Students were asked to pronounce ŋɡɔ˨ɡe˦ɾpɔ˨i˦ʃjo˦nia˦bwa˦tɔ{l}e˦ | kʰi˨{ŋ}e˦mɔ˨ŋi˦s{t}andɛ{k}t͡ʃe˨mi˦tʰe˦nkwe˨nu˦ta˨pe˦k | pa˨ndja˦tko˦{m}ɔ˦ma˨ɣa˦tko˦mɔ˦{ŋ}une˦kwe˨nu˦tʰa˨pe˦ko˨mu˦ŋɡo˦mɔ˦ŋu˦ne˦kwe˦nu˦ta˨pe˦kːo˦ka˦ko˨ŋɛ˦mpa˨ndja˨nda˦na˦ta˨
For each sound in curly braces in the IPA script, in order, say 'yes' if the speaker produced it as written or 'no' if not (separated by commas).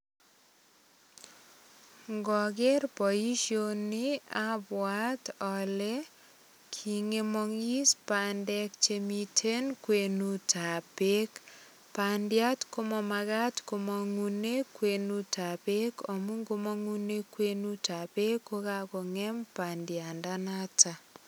yes, yes, no, yes, yes, yes